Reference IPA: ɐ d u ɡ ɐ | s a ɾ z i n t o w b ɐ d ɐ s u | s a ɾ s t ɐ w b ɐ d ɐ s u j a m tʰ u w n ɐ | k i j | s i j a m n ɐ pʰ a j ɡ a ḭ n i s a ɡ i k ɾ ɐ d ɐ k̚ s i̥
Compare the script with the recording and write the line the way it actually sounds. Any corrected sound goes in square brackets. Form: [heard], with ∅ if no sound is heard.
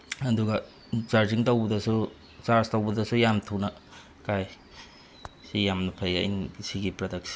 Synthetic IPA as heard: ɐ d u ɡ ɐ | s a ɾ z i [ŋ] t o w b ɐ d ɐ s u | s a ɾ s t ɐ w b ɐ d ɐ s u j a m tʰ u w n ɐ | k [a] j | s i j a m n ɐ pʰ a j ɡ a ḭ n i s [i] ɡ i [p] ɾ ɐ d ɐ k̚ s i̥

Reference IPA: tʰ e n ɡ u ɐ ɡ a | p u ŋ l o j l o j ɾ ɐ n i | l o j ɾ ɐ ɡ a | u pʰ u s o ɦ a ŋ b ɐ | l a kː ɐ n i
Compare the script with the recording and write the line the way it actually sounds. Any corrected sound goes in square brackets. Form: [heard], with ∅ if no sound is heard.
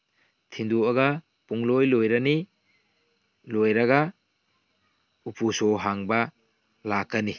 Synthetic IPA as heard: tʰ [i] n [d] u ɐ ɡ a | p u ŋ l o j l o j ɾ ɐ n i | l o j ɾ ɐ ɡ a | u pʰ u s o ɦ a ŋ b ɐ | l a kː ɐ n i

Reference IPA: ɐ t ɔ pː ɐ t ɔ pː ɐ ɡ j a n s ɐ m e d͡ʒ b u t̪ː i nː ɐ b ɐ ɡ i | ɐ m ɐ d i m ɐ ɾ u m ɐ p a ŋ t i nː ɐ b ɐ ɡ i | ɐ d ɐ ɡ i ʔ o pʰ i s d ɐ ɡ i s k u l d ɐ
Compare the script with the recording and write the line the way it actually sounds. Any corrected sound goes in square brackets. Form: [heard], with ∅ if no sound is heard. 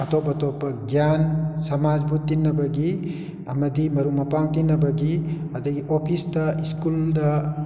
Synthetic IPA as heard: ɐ t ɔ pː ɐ t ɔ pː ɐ ɡ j a n s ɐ m [a] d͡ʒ b u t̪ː i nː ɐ b ɐ ɡ i | ɐ m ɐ d i m ɐ ɾ u m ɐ p a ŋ t i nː ɐ b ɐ ɡ i | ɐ d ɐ ɡ i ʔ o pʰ i s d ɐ [∅] i s k u l d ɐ

